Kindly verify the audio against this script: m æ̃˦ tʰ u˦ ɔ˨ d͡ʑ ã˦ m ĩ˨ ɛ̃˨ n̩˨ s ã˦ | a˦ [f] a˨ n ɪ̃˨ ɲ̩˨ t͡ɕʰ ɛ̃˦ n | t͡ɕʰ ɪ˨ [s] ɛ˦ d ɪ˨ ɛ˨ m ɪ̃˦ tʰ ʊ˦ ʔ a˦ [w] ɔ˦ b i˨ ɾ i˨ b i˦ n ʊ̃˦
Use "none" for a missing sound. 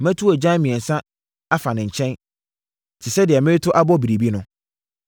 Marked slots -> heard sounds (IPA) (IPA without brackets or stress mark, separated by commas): f, s, b